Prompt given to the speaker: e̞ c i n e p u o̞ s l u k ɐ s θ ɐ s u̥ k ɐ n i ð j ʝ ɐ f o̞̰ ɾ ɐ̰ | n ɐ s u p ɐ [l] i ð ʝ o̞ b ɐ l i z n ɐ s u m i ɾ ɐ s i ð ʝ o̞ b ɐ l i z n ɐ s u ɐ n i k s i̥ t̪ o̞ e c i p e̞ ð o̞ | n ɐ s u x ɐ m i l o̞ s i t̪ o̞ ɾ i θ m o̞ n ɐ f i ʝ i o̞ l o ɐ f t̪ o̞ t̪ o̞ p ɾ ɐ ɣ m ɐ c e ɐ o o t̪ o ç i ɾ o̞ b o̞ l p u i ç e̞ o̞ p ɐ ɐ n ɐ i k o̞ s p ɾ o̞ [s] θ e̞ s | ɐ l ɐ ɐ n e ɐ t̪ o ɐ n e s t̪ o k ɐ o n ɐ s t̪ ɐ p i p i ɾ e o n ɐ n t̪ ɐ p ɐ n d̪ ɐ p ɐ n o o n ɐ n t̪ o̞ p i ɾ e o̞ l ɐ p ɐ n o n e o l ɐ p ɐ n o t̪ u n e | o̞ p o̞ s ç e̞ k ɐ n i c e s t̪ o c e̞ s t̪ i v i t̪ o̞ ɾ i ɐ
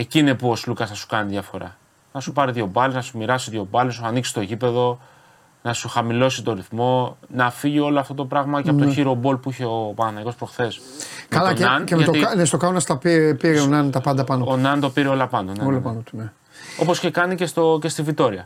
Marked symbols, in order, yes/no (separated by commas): no, no